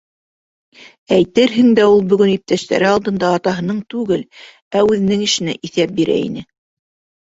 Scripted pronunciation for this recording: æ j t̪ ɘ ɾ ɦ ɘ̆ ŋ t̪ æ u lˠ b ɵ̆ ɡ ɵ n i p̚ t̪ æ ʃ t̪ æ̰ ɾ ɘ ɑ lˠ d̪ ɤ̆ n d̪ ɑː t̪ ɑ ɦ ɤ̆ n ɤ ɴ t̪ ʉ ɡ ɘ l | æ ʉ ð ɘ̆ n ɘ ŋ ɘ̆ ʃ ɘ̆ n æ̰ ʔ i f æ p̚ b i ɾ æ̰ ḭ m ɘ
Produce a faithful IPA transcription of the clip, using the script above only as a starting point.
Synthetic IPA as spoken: æ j t̪ ɘ ɾ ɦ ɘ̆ ŋ d̪ æ u lˠ b ɵ̆ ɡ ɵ n i p̚ t̪ æ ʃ t̪ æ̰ ɾ ɘ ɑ lˠ d̪ ɤ̆ n d̪ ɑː t̪ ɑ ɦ ɤ̆ n ɤ ɴ t̪ ʉ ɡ ɘ l | æ ʉ ð ɘ̆ n ɘ ŋ ɘ̆ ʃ ɘ̆ n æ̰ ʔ i θ æ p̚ b i ɾ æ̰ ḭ n ɘ